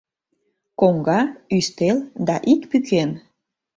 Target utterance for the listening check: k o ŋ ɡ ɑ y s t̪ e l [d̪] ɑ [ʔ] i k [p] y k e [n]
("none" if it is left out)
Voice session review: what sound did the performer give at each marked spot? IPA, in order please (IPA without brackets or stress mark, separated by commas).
d̪, ʔ, p, n